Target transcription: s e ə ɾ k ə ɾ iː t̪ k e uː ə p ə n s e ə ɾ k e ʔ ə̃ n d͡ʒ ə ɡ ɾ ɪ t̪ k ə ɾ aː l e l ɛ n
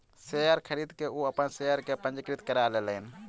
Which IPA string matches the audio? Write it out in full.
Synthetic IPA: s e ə ɾ kʰ ə ɾ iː d̪ k e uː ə p ə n s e ə ɾ k e p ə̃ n d͡ʒ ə k ɾ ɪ t̪ k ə ɾ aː l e l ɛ n